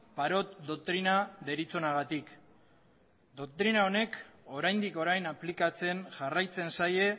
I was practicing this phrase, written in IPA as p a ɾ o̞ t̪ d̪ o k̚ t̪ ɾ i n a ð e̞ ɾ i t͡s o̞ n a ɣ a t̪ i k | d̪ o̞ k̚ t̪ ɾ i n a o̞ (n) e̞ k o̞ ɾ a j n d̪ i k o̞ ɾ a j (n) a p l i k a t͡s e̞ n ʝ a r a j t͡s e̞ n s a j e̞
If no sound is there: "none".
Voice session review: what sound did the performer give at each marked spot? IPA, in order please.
n, n

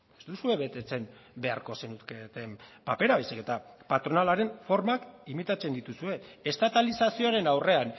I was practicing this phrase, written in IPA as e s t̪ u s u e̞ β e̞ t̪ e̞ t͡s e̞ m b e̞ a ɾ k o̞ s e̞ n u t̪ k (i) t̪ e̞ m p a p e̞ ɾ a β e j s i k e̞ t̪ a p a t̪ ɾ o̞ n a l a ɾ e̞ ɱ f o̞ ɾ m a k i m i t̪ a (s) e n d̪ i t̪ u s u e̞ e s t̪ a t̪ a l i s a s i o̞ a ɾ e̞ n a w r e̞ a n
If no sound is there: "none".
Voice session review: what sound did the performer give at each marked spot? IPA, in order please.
e, t͡s

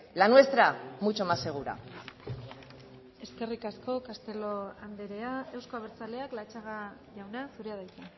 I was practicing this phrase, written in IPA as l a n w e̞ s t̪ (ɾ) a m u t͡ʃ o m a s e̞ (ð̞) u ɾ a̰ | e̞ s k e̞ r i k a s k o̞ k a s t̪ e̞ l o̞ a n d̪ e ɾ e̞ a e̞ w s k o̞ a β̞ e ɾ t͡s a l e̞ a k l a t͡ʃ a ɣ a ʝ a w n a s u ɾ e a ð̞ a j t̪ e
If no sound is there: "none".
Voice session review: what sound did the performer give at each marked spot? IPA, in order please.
ɾ, ɣ̞

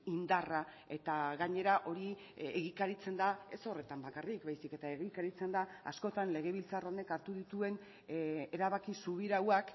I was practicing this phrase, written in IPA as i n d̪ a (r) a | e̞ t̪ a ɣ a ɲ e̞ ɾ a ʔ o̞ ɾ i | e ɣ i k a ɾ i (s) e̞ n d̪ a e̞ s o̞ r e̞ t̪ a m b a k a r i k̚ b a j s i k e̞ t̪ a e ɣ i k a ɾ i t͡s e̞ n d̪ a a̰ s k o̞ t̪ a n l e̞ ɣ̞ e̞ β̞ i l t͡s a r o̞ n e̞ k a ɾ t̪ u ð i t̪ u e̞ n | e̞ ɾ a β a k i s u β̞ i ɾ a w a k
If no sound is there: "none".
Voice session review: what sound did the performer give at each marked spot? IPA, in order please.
r, t͡s

